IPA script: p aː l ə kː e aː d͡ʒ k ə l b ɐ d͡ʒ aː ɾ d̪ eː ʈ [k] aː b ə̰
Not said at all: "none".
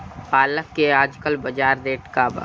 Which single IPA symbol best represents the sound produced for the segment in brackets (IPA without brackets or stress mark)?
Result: k